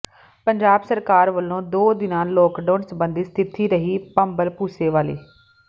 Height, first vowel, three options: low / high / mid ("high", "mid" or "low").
mid